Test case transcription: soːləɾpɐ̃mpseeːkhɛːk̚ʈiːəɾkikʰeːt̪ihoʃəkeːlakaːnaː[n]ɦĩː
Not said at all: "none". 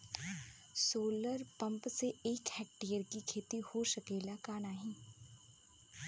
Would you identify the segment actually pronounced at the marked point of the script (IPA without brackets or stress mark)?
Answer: none